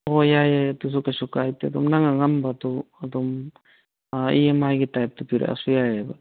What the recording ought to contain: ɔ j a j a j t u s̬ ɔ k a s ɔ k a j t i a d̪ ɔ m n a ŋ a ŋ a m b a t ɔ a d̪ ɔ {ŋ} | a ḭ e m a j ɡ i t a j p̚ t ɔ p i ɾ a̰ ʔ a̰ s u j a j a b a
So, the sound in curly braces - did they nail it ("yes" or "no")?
no